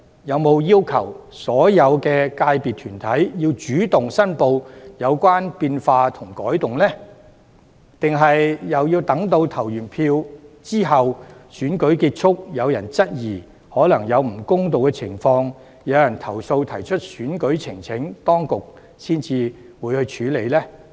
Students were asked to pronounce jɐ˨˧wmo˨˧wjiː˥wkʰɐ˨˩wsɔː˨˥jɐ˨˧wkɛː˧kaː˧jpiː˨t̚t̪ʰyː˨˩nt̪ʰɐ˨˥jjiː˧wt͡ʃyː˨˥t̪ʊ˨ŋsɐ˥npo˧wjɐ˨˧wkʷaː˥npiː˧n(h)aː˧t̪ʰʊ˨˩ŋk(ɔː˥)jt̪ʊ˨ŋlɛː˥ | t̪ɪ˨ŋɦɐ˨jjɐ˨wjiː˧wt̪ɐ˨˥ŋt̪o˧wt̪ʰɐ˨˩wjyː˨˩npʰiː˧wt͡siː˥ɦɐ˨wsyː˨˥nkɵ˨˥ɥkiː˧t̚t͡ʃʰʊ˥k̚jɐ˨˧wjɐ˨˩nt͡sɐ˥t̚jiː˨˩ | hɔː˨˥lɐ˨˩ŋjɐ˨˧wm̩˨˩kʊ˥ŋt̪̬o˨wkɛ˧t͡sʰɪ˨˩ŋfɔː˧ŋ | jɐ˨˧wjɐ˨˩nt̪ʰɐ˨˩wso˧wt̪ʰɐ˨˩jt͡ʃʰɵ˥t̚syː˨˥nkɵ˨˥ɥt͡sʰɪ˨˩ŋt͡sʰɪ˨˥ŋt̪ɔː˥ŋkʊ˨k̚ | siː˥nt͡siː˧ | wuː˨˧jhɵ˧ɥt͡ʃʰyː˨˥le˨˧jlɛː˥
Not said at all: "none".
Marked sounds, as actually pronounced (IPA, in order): f, ɔː˨˥

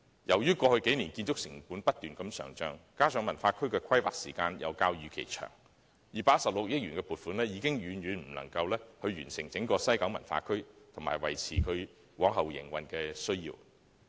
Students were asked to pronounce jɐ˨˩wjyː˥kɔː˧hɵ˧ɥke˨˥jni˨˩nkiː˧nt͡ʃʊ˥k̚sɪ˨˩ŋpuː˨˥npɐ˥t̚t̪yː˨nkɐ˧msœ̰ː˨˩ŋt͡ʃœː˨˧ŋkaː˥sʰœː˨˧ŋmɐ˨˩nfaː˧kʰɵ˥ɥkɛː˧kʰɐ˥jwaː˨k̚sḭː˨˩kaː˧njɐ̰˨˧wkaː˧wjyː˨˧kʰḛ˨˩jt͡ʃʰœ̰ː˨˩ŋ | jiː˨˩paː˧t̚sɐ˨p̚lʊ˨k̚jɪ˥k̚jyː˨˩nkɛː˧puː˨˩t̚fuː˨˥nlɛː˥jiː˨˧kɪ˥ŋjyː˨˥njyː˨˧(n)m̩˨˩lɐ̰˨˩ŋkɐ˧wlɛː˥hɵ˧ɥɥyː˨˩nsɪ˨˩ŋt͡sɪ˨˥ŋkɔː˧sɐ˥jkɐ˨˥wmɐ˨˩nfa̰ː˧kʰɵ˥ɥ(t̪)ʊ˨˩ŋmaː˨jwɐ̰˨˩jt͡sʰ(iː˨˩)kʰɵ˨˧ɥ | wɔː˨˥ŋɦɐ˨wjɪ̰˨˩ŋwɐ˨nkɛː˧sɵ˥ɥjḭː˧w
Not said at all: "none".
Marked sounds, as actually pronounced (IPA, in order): n, t̪ʰ, iː˨˩

